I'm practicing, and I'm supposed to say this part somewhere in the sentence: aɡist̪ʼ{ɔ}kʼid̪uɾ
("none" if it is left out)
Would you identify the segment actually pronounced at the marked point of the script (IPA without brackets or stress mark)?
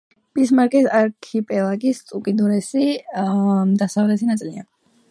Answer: u